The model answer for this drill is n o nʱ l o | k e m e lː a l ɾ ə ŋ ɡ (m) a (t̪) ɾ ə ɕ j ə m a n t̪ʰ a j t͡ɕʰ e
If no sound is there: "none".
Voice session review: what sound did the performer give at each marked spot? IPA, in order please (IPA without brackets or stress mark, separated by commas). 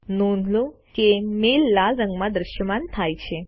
m, d̪